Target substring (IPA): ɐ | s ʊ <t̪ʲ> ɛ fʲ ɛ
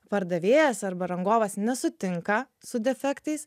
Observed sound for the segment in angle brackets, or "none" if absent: d̪ʲ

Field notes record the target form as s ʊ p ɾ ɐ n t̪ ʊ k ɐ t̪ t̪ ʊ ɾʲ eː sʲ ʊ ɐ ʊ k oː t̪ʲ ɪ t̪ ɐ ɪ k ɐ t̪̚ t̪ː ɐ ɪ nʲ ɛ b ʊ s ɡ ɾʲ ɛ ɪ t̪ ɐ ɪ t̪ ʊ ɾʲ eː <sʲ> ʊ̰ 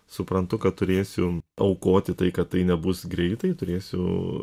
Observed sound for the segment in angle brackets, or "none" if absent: sʲ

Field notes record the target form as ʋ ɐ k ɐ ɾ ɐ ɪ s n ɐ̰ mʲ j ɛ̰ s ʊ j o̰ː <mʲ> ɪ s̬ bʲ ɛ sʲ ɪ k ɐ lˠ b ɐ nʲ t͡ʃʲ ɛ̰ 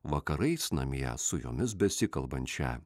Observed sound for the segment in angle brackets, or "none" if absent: mʲ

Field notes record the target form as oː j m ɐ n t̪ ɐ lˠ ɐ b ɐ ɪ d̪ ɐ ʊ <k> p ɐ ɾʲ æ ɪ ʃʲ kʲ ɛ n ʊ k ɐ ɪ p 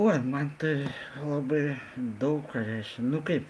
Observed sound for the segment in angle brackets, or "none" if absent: k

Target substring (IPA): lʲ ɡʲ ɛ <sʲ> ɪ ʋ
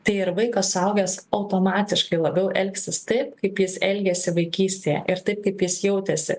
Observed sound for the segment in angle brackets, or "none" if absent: sʲ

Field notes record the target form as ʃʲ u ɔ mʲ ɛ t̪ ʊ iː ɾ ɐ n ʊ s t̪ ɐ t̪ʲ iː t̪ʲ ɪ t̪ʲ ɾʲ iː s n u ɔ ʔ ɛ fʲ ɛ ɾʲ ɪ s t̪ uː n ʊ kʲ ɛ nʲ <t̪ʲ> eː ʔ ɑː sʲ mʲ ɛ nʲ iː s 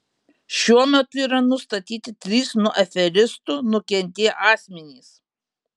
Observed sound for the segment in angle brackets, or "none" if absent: t̪ʲ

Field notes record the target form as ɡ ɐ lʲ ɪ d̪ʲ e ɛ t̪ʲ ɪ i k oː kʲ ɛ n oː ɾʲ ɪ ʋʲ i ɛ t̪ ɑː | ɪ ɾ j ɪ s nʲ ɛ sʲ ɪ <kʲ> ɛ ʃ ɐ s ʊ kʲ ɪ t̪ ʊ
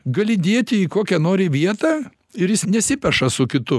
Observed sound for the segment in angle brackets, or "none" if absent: pʲ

